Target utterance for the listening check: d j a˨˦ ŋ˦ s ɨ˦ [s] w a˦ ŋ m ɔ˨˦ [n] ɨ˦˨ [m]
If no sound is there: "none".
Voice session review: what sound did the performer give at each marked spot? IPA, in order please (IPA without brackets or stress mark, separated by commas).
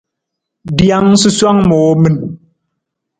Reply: s, m, n